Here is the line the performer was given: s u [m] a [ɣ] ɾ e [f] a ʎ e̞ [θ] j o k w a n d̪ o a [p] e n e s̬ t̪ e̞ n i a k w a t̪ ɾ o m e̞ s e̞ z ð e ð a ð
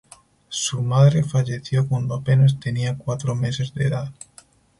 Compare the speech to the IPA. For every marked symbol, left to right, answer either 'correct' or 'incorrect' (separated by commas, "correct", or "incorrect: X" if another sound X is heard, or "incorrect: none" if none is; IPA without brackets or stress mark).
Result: correct, incorrect: ð, correct, correct, correct